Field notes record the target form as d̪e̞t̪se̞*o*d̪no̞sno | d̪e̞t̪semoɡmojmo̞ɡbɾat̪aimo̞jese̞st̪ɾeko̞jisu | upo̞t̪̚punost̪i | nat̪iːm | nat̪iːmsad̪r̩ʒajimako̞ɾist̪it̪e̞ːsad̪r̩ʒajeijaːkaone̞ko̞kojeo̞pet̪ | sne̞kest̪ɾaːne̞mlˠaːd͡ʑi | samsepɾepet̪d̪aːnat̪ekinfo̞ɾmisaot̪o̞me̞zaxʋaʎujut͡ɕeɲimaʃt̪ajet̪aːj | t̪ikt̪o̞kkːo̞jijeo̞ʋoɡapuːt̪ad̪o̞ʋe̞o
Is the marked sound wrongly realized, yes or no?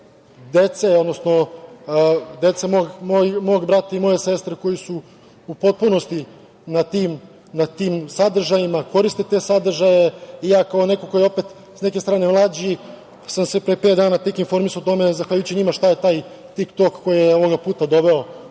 no